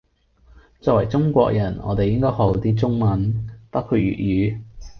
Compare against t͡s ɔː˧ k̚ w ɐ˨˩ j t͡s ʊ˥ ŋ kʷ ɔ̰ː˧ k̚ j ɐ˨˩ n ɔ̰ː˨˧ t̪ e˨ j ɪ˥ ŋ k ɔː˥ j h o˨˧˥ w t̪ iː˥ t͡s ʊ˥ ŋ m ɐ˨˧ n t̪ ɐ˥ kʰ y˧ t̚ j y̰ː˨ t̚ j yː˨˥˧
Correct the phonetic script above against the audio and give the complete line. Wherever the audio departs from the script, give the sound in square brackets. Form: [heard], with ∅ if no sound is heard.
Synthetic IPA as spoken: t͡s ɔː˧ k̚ w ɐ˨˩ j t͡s ʊ˥ ŋ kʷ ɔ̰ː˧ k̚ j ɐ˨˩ n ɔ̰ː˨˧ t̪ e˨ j ɪ˥ ŋ k ɔː˥ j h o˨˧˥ w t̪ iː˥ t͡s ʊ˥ ŋ m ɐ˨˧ n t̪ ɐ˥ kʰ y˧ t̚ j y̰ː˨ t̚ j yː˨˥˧